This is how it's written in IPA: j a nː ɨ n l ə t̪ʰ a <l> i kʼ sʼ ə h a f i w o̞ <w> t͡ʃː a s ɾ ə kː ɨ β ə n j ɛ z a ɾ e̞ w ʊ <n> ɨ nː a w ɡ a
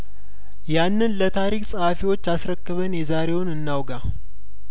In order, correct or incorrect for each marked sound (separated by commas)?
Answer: incorrect, incorrect, correct